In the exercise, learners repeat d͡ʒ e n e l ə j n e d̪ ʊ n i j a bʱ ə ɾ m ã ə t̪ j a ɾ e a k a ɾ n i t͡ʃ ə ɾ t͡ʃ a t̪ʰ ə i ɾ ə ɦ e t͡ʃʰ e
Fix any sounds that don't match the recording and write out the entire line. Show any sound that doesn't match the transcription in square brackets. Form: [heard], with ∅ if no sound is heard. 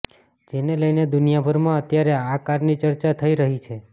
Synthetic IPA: d͡ʒ e n e l ə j n e d̪ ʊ n i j a bʱ ə ɾ m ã ə t̪ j a ɾ e a k a ɾ n i t͡ʃ ə ɾ t͡ʃ a t̪ʰ ə i ɾ ə ɦ [i] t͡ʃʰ e

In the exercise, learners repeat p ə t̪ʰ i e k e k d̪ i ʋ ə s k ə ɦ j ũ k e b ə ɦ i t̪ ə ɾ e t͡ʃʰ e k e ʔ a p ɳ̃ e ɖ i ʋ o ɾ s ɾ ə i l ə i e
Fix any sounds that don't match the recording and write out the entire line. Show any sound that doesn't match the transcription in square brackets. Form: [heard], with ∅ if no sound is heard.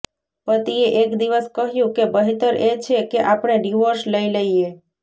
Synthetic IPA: p ə [t̪] i e [ʔ] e k d̪ i ʋ ə s k ə ɦ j ũ k e b ə ɦ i t̪ ə ɾ e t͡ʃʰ e k e ʔ a p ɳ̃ e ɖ i ʋ o ɾ s [l] ə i l ə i e

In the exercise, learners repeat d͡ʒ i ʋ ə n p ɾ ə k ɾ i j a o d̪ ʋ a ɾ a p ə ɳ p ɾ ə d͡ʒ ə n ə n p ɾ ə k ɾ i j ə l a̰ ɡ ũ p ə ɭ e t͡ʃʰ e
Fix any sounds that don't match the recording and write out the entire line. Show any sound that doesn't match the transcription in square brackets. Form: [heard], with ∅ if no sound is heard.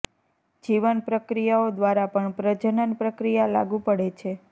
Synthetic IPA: d͡ʒ i ʋ ə n p ɾ ə k ɾ i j a o d̪ ʋ a ɾ a p ə ɳ p ɾ ə d͡ʒ ə n ə n p ɾ ə k ɾ i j [a] l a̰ ɡ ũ p ə [ɽ] e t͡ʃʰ e

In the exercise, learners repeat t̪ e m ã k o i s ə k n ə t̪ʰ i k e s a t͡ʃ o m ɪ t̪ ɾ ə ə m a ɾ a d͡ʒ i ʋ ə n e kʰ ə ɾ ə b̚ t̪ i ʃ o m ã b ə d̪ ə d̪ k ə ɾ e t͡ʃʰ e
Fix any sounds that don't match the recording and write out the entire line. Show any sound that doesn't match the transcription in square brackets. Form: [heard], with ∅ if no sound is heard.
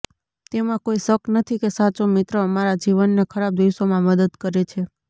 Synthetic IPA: t̪ e m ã k o i s ə k n ə t̪ʰ i k e s a t͡ʃ o m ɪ t̪ ɾ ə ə m a ɾ a d͡ʒ i ʋ ə [nː] e kʰ ə ɾ [a] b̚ [d̪] i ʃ o m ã [m] ə d̪ ə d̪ k ə ɾ e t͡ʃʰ e

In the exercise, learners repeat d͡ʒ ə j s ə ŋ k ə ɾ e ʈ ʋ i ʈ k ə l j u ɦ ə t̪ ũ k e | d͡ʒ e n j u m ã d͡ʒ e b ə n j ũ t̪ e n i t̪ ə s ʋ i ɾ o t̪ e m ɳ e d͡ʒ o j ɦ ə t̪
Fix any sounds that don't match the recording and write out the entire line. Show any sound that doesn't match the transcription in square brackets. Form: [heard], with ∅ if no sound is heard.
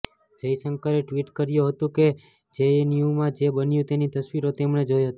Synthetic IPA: d͡ʒ ə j s ə ŋ k ə ɾ e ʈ ʋ i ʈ k ə [ɾ] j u ɦ ə t̪ ũ k e | d͡ʒ e n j u m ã d͡ʒ e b ə n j ũ t̪ e n i t̪ ə s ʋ i ɾ o t̪ e m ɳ e d͡ʒ o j ɦ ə t̪

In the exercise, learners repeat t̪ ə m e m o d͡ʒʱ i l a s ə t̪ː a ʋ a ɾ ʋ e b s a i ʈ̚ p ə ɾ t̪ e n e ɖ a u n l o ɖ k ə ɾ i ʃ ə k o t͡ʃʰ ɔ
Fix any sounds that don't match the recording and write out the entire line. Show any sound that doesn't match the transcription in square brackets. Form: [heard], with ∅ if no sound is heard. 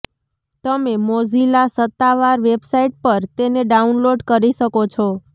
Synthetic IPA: t̪ ə m e m o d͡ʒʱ i l a s ə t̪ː a ʋ a ɾ ʋ e b s a i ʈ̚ p ə ɾ t̪ e n e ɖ a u n l o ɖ k ə ɾ i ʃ ə k o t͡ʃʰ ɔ

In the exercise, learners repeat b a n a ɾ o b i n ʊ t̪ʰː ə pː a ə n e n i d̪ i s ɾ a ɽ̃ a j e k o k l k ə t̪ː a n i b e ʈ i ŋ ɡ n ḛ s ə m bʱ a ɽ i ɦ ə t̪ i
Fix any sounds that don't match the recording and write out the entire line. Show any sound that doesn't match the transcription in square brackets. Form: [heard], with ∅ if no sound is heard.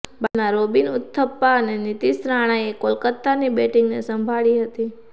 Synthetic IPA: b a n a ɾ o b i n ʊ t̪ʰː ə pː a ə n e n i [t̪] i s ɾ a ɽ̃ a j e k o [∅] l k ə t̪ː a n i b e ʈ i ŋ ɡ n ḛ s ə m bʱ a [ɭ] i ɦ ə t̪ i

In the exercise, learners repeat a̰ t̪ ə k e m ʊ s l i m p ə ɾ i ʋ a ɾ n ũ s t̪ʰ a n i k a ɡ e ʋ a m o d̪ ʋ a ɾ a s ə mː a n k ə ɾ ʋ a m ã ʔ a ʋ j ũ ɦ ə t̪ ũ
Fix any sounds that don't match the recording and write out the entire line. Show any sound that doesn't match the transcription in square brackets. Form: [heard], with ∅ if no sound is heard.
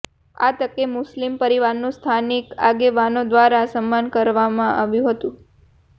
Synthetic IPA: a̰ t̪ ə k e m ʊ s l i m p ə ɾ i ʋ a ɾ n ũ s t̪ʰ a n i k a ɡ e ʋ a [n] o d̪ ʋ a ɾ a s ə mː a n k ə ɾ ʋ a m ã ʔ a ʋ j ũ ɦ ə t̪ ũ

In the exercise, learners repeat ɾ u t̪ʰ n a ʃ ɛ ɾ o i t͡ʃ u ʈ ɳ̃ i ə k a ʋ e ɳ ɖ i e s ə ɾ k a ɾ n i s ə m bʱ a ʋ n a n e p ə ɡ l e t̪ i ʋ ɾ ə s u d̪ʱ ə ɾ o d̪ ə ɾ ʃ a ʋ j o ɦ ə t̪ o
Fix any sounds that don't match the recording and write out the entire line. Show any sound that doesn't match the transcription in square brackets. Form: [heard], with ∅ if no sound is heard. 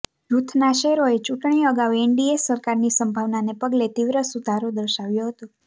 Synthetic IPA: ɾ u t̪ʰ n a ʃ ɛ ɾ o [e] t͡ʃ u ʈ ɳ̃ i ə [ɡ] a ʋ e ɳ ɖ i e s ə ɾ k a ɾ n i s ə m bʱ a ʋ n a n e p ə ɡ l e t̪ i ʋ ɾ ə s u d̪ʱ [a] ɾ o d̪ ə ɾ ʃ a ʋ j o ɦ ə t̪ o

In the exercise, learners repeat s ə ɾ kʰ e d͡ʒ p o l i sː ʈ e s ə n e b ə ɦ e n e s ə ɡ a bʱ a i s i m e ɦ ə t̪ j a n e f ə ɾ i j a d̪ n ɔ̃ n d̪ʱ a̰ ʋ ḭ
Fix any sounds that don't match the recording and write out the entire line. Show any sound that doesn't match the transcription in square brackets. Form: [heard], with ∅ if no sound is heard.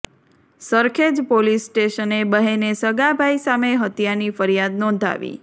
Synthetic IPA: s ə ɾ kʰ e d͡ʒ p o l i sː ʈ e [ʃ] ə n e b ə ɦ e n e s ə ɡ a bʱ a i s [a] m e ɦ ə t̪ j a n [i] f ə ɾ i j a d̪ n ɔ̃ n d̪ʱ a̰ ʋ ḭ

